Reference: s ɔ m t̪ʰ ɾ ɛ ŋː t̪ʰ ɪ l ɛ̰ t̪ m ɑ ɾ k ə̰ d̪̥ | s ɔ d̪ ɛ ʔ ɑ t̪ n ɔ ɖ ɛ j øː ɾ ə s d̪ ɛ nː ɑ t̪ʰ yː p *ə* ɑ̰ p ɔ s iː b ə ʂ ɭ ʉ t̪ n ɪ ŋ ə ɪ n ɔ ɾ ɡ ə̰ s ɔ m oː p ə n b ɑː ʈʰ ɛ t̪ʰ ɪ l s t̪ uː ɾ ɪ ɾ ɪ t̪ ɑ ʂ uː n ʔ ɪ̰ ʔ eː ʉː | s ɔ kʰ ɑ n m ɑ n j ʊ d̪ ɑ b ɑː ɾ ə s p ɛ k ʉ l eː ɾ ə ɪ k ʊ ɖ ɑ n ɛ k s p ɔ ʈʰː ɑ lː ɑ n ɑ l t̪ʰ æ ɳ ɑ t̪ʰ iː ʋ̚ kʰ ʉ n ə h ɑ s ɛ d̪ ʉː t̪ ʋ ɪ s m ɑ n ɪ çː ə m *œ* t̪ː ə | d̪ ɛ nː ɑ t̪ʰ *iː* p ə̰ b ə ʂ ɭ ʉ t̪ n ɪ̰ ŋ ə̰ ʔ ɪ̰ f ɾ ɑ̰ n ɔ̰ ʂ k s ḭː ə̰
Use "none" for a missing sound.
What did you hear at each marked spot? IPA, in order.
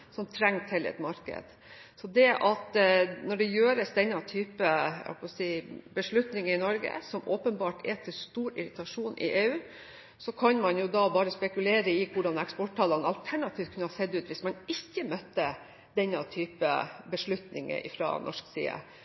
ə, œ, yː

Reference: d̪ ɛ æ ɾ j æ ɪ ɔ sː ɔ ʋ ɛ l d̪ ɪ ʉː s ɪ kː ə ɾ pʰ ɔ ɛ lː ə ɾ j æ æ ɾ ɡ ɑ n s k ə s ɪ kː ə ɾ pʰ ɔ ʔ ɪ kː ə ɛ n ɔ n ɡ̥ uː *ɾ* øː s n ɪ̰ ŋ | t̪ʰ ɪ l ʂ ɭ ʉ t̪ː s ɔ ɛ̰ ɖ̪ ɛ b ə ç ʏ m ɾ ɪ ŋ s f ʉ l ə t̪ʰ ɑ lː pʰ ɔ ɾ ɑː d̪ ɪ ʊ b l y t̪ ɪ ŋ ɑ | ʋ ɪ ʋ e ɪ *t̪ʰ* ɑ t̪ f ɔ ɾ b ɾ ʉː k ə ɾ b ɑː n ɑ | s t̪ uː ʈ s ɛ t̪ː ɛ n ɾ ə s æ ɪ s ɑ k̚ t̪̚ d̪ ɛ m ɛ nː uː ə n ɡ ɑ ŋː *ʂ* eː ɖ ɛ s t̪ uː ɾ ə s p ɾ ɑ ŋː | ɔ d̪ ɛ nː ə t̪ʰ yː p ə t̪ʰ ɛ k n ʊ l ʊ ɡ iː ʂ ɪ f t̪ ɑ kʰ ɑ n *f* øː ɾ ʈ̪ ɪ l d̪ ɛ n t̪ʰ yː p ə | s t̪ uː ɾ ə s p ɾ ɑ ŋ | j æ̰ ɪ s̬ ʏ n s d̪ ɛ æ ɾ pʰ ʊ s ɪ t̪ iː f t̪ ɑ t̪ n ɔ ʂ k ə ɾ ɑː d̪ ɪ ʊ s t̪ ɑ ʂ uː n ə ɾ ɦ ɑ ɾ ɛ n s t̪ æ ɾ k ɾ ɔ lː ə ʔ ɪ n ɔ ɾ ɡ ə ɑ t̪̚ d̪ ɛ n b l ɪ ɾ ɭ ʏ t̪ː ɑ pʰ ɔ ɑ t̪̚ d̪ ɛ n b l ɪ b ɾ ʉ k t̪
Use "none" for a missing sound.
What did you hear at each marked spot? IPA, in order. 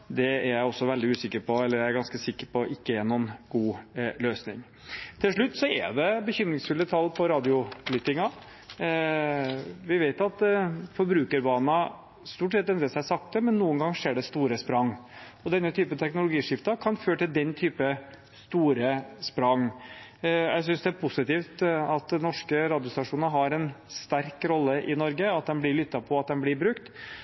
l, t̪, ʂ, f

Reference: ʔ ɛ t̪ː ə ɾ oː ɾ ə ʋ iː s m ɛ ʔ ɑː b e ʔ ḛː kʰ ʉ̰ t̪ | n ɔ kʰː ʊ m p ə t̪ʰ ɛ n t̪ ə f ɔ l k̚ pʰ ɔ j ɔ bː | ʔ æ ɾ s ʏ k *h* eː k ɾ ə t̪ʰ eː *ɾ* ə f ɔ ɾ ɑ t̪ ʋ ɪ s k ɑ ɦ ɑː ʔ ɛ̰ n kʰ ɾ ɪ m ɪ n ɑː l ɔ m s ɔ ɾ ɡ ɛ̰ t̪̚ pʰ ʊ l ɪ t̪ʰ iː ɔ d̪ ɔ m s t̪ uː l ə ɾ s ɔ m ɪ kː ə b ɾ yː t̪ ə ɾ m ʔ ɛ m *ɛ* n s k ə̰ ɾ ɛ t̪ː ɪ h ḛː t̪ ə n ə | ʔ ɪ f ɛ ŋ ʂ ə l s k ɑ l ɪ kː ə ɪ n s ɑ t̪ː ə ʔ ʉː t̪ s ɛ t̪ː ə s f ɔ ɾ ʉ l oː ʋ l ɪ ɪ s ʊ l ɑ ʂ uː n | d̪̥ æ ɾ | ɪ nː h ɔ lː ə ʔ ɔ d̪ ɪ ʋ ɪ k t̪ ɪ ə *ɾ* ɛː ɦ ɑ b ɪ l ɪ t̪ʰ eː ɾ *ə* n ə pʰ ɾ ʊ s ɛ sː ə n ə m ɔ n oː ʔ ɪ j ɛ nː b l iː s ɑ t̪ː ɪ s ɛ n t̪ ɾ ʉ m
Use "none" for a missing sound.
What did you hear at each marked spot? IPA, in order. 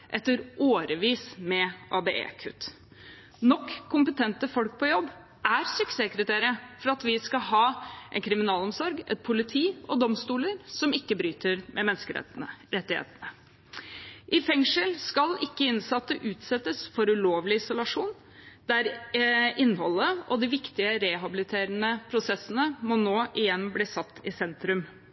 s, ɾ, ɛ, ɾ, ə

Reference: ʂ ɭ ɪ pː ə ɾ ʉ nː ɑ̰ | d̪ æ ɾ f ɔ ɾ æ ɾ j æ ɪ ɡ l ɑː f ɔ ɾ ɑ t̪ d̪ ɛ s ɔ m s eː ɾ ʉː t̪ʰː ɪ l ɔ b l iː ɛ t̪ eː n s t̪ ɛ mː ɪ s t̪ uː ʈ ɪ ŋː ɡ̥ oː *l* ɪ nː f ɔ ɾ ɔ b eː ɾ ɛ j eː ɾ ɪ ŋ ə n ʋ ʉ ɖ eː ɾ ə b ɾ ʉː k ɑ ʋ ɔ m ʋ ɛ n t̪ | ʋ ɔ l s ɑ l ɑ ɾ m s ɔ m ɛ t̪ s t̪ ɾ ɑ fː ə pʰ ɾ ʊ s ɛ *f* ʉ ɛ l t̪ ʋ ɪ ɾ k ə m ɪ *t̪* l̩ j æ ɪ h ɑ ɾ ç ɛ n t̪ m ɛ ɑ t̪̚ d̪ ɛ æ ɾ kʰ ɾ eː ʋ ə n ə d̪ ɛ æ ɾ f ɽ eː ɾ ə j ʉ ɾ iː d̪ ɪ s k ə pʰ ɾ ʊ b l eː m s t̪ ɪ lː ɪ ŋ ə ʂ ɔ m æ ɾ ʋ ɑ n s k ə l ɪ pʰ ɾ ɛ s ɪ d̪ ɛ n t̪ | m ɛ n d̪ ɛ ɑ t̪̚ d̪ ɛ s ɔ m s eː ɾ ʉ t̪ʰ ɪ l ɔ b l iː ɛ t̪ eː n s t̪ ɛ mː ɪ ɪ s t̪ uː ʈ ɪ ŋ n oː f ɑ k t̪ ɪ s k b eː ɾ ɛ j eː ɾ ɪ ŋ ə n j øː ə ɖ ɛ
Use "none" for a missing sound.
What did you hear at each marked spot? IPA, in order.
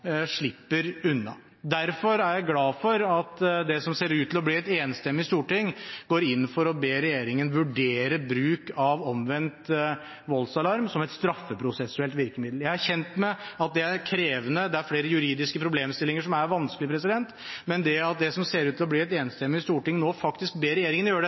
ɾ, s, d̪

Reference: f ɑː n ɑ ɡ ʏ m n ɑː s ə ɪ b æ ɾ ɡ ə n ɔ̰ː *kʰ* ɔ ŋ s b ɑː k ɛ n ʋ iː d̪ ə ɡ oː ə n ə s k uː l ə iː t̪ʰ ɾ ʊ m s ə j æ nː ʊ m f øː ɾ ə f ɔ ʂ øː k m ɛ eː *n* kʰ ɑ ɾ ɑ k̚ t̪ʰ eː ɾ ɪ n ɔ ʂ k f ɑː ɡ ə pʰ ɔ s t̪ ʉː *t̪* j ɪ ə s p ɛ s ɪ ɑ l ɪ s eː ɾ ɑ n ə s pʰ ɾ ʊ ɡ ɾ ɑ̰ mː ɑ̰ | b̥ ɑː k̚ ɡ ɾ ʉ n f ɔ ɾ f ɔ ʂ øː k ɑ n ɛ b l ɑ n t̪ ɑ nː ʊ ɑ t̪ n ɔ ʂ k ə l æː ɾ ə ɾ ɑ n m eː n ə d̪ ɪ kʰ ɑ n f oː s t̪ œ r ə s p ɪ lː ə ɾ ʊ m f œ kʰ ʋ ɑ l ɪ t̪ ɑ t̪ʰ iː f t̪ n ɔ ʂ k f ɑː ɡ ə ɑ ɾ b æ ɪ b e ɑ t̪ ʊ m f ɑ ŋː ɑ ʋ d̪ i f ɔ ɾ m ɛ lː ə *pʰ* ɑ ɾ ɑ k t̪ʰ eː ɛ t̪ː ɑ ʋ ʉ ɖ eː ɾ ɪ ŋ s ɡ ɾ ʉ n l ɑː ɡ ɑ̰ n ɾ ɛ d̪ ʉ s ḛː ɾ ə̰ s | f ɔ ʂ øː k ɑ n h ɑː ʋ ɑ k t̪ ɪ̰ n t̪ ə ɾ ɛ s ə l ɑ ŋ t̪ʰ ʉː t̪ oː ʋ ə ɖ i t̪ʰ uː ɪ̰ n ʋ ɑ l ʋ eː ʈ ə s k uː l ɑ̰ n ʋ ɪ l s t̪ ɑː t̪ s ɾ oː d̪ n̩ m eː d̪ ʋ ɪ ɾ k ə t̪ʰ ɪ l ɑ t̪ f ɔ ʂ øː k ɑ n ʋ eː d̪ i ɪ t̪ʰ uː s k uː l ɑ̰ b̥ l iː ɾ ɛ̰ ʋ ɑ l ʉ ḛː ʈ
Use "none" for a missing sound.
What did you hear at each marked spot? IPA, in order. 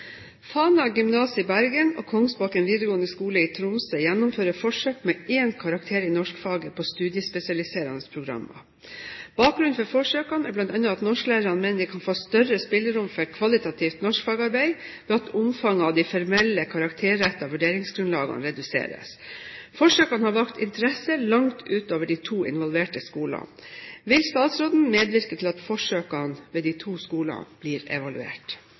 kʰ, n, d̪, kʰ

